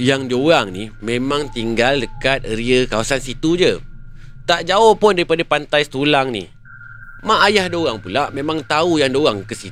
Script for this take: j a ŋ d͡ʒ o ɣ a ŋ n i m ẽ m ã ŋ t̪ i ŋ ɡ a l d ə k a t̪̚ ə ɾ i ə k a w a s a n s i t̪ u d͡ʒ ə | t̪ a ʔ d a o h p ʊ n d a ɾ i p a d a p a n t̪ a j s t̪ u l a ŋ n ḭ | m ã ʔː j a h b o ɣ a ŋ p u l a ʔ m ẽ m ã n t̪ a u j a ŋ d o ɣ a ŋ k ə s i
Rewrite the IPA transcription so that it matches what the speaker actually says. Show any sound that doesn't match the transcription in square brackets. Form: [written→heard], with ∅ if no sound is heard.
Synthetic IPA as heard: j a ŋ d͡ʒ o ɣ a ŋ n i m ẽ m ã ŋ t̪ i ŋ ɡ a l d ə k a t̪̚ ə ɾ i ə k a w a s a n s i t̪ u d͡ʒ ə | t̪ a ʔ [d→d͡ʒ] a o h p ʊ n d a ɾ i p a d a p a n t̪ a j s t̪ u l a ŋ n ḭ | m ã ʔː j a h [b→d] o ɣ a ŋ p u l a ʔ m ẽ m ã [n→ŋ] t̪ a u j a ŋ d o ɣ a ŋ k ə s i